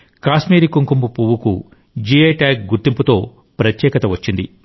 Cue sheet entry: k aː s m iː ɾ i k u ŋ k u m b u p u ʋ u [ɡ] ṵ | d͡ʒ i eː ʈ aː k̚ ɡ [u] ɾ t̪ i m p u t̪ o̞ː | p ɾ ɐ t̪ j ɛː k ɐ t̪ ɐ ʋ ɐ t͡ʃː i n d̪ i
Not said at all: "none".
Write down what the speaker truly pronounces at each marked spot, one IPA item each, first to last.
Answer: k, u

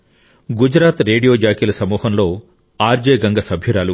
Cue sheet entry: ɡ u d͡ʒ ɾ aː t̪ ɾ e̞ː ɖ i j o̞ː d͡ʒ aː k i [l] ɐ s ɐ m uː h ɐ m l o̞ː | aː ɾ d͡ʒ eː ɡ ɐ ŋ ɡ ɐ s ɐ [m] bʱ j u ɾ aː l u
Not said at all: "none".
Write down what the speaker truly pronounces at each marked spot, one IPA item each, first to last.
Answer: l, none

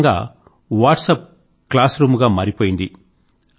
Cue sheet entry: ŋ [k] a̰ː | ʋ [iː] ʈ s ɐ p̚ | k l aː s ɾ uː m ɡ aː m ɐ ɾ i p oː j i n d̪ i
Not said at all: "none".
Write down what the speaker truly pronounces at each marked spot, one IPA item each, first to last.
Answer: ɡ, aː

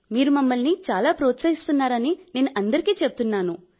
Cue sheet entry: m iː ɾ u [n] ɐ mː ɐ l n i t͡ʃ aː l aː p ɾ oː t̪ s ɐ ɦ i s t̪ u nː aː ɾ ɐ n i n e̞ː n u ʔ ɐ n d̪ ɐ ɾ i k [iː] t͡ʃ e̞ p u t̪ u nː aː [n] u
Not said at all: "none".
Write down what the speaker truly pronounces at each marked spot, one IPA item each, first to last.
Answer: m, iː, n

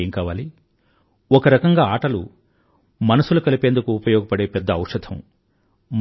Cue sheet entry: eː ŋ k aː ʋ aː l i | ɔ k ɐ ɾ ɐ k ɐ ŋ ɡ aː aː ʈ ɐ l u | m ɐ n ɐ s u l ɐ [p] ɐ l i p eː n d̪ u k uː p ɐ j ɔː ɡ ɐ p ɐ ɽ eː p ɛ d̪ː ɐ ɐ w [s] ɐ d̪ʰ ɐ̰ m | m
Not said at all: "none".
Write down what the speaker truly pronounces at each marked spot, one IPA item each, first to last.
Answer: k, ʂ

